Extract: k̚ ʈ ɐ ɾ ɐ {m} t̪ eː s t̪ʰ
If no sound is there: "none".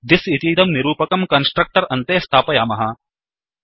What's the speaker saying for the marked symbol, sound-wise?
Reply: n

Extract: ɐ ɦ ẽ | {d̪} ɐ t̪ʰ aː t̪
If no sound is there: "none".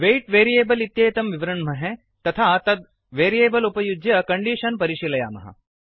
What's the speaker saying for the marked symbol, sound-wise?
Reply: t̪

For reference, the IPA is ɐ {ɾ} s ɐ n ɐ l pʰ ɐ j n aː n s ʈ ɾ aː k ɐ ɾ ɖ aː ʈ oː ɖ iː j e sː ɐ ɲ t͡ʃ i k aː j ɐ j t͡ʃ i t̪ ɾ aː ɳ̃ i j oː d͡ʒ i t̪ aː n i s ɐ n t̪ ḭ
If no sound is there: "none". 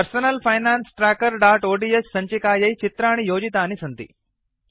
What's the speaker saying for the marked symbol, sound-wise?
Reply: ɾ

